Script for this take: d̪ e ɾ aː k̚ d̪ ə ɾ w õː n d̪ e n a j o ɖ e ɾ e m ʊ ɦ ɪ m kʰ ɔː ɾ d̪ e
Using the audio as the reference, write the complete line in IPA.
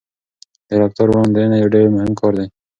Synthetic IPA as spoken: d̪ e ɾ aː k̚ t̪ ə ɾ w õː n d̪ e n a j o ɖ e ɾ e m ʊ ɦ ɪ m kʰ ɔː ɾ d̪ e